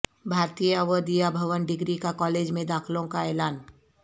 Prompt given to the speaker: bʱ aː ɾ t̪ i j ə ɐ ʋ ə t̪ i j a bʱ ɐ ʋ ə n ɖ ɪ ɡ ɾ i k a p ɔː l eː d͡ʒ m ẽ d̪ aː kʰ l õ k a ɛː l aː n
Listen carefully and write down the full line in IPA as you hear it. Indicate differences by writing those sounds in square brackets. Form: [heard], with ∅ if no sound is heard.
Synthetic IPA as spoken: bʱ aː ɾ t̪ i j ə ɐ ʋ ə [d̪] i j a bʱ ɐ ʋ ə n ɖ ɪ ɡ ɾ i k a [k] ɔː l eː d͡ʒ m ẽ d̪ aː kʰ l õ k a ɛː l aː n